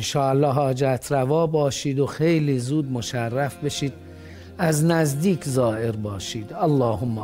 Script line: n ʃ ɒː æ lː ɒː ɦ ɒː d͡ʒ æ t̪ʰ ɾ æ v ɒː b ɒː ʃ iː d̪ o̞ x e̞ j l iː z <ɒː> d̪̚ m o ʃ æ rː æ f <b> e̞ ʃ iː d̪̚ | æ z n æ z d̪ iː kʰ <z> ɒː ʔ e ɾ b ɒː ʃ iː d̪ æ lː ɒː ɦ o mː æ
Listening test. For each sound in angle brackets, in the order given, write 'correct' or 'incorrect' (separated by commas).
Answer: incorrect, correct, correct